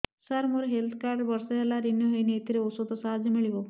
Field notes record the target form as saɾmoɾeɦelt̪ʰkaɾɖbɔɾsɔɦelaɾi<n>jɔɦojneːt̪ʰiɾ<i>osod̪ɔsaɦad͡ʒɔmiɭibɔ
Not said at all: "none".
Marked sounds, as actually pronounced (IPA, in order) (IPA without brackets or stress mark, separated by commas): n, e